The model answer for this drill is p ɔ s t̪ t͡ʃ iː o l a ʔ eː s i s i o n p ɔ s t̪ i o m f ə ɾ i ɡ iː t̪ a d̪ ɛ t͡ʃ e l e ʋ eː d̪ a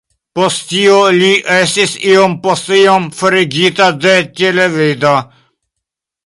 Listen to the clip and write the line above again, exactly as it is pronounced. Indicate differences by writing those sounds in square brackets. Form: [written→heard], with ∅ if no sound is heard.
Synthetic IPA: p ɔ s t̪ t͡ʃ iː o l [a→i] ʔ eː s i s i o [n→m] p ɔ s t̪ i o m f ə ɾ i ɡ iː t̪ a d̪ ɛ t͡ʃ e l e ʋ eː d̪ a

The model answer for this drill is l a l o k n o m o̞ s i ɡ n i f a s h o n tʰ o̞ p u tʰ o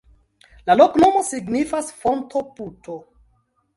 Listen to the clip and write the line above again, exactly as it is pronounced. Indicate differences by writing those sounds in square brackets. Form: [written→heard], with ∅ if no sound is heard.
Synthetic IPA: l a l o k n o m o̞ s i ɡ n i f a s [h→f] o n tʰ o̞ p u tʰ o

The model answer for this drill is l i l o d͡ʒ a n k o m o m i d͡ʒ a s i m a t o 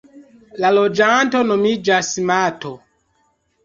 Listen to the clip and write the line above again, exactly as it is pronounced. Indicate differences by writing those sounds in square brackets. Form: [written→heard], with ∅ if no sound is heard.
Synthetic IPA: l [i→a] l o d͡ʒ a n [k→t] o [m→n] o m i d͡ʒ a s i m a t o

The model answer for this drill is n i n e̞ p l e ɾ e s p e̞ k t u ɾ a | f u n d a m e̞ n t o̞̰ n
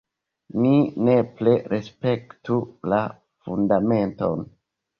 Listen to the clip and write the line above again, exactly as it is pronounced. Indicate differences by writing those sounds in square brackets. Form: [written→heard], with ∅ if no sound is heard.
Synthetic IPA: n i n e̞ p l e ɾ e s p e̞ k t u [ɾ→l] a | f u n d a m e̞ n t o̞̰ n

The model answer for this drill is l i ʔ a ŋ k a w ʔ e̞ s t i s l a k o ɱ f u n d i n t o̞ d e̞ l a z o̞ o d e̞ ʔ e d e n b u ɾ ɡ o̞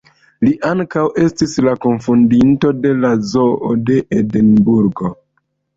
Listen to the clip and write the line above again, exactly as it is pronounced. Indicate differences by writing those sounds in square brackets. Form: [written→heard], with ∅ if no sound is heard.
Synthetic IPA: l i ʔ a ŋ k a w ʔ e̞ s t i s l a k o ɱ f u n d i n t o̞ d e̞ l a z o̞ o d e̞ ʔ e d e n b u ɾ ɡ o̞

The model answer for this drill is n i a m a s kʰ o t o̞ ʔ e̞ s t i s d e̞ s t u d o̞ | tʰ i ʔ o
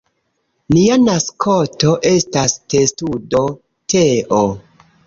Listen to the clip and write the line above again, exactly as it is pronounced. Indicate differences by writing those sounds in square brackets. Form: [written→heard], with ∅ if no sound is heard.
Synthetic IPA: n i a [m→n] a s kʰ o t o̞ ʔ e̞ s t [i→a] s [d→t] e̞ s t u d o̞ | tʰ [i→e] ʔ o

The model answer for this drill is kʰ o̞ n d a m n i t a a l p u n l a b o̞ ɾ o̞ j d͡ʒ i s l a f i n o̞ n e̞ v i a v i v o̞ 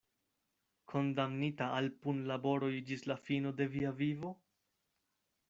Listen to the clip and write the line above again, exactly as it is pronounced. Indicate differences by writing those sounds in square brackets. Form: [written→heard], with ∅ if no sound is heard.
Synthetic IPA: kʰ o̞ n d a m n i t a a l p u n l a b o̞ ɾ o̞ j d͡ʒ i s l a f i n o̞ [n→d] e̞ v i a v i v o̞

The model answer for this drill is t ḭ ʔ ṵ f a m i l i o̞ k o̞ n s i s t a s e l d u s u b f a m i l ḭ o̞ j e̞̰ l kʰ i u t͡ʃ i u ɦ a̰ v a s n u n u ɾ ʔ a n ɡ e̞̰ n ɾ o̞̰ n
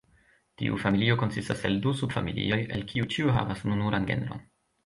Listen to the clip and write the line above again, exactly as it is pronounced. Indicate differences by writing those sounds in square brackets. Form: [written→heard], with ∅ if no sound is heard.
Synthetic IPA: t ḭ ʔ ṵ f a m i l i o̞ k o̞ n s i s t a s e l d u s u b f a m i l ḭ o̞ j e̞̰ l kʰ i u t͡ʃ i u ɦ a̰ v a s n u n u ɾ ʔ a n ɡ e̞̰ n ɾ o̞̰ n

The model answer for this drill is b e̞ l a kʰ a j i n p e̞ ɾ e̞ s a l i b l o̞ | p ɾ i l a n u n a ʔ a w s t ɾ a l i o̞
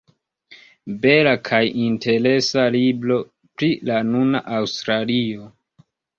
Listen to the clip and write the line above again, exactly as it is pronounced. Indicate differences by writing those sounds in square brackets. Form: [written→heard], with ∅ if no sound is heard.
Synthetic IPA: b e̞ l a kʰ a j i n [p→t] e̞ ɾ e̞ s a l i b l o̞ | p ɾ i l a n u n a ʔ a w s t ɾ a l i o̞

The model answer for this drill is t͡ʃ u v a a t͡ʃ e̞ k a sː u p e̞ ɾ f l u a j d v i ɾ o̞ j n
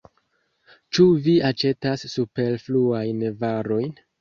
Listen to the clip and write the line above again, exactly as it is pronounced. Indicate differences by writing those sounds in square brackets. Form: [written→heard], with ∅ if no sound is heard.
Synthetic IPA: t͡ʃ u v [a→i] a t͡ʃ e̞ [k→t] a sː u p e̞ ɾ f l u a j [d→n] v [i→a] ɾ o̞ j n

